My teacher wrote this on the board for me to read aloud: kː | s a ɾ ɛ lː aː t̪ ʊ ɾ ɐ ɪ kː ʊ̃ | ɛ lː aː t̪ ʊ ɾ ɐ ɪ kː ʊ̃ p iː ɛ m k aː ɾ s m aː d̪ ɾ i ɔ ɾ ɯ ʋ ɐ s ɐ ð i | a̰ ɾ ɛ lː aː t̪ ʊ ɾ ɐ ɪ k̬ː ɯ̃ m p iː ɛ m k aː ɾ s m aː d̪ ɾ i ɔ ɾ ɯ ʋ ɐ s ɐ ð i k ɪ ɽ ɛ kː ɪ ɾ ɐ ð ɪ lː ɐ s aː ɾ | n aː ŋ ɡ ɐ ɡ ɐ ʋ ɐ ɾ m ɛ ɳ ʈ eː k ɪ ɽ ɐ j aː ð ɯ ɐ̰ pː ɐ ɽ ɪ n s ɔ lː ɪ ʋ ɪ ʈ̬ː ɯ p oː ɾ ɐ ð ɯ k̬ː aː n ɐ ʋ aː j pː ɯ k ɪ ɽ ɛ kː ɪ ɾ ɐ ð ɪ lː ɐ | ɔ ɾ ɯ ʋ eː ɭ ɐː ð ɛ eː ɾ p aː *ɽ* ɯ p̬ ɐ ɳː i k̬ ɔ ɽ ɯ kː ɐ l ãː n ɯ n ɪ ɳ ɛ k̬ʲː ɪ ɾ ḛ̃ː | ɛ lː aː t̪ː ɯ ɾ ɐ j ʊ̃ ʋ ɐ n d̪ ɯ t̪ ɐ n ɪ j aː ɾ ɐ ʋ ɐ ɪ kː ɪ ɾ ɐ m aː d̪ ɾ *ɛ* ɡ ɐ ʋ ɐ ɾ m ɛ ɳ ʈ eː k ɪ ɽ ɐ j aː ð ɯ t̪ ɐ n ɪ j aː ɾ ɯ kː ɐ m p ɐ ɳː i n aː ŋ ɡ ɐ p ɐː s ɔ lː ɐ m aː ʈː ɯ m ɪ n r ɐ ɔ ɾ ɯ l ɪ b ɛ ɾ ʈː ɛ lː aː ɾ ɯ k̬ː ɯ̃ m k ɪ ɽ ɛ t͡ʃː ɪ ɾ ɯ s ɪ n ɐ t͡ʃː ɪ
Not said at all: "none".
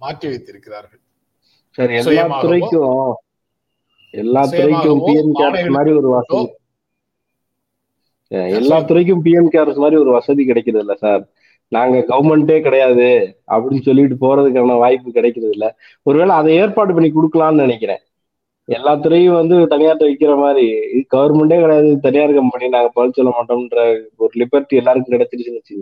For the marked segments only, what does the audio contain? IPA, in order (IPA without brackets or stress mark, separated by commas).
ɽ, i